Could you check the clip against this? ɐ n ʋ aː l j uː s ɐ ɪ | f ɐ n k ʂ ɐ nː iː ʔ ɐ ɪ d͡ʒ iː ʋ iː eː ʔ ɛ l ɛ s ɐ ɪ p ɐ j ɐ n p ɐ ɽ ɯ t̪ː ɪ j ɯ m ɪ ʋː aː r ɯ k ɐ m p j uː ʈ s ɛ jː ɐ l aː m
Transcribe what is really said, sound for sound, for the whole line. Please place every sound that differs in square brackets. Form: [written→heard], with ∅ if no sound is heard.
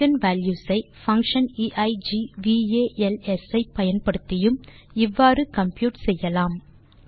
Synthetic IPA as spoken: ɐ n ʋ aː l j uː s ɐ ɪ | f ɐ [n→ŋ] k ʂ ɐ [nː→n] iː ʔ ɐ ɪ d͡ʒ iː ʋ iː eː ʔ ɛ l ɛ s ɐ ɪ p ɐ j ɐ n p ɐ ɽ ɯ t̪ː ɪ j ɯ m ɪ ʋː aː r ɯ k ɐ m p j uː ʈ s ɛ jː ɐ l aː m